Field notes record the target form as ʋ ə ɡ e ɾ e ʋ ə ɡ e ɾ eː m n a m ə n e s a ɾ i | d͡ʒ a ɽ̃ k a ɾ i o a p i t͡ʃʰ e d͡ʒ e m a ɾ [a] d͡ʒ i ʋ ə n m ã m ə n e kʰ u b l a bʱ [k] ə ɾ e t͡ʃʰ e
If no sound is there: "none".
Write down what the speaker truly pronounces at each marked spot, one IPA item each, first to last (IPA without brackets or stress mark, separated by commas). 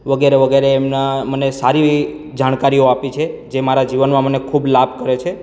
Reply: a, k